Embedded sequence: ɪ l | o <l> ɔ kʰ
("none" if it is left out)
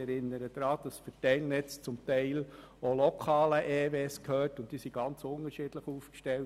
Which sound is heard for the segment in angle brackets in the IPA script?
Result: l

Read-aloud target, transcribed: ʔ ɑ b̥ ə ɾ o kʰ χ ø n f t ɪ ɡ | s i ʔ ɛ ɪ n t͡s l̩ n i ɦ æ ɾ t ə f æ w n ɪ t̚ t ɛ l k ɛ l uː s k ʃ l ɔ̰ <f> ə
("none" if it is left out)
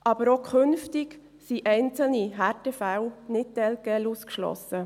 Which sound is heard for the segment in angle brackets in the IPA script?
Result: s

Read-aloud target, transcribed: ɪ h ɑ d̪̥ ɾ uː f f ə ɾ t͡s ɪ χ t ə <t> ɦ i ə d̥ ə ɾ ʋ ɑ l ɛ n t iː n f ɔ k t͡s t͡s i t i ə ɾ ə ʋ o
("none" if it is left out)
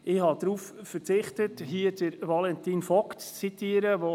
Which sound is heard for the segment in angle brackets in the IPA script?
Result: t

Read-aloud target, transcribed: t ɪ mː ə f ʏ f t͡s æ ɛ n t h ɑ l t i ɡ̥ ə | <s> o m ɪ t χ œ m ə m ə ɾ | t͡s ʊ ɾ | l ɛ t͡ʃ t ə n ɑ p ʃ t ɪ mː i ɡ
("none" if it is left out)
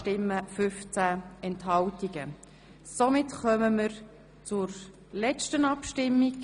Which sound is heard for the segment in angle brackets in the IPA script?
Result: s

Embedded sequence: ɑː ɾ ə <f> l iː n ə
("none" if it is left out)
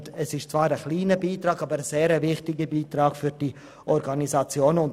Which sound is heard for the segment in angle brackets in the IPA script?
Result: χ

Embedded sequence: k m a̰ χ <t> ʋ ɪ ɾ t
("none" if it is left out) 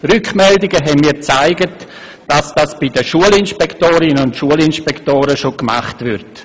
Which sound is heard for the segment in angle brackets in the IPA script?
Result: t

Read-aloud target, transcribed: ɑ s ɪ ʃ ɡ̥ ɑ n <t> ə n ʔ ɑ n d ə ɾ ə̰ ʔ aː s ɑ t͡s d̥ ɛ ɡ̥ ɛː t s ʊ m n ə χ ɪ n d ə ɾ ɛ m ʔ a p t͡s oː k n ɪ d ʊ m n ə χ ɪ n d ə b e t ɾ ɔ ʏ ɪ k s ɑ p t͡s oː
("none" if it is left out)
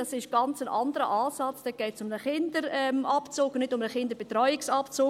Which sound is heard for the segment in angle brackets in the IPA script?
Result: t͡s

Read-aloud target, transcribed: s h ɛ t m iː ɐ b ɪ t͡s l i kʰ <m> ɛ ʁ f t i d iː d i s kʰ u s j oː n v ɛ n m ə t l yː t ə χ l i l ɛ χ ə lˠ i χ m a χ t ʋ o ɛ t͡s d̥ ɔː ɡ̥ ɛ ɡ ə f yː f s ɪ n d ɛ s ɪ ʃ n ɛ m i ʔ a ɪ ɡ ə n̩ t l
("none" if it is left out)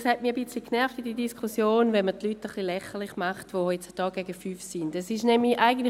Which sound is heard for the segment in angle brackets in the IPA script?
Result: n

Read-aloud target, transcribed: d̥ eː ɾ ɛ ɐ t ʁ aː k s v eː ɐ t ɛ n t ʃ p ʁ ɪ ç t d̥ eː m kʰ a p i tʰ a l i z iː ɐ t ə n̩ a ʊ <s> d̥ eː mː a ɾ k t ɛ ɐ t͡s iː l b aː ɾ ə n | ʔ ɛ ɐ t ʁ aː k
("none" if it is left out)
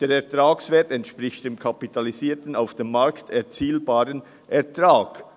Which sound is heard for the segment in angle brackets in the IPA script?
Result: f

